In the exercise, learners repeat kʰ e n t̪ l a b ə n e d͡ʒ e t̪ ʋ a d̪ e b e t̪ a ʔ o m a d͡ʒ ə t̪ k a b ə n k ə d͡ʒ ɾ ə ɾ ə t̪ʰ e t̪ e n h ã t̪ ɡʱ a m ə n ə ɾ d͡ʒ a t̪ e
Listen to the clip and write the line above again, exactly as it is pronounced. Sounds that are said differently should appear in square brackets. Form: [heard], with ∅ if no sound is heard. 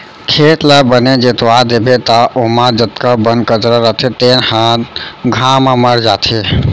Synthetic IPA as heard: kʰ e [∅] t̪ l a b ə n e d͡ʒ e t̪ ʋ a d̪ e b e t̪ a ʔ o m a d͡ʒ ə t̪ k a b ə n k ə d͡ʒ ɾ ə ɾ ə t̪ʰ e t̪ e n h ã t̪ ɡʱ a m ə [m] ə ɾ d͡ʒ a [t̪ʰ] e